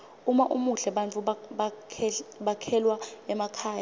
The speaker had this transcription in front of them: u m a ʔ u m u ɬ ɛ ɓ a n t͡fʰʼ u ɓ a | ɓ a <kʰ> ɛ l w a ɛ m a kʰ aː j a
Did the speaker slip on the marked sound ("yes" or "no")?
no